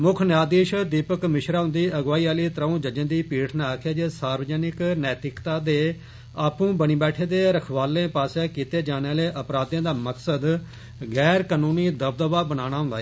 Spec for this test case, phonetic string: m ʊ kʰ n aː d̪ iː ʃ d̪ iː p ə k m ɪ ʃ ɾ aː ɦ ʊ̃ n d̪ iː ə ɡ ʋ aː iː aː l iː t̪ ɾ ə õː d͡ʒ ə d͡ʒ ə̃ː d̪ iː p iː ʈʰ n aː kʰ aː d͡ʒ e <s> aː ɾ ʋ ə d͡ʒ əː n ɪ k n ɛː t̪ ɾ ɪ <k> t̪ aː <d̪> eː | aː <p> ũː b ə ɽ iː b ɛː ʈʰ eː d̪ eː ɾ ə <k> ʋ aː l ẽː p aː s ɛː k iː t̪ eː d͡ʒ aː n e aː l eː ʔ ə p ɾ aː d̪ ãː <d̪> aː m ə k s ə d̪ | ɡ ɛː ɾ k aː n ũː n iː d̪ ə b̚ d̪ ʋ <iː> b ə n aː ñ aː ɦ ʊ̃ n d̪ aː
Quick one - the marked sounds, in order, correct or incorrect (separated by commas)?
correct, correct, correct, correct, incorrect, correct, incorrect